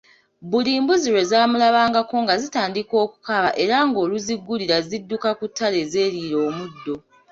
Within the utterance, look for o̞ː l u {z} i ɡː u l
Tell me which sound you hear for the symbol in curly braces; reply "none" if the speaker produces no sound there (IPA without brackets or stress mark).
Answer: z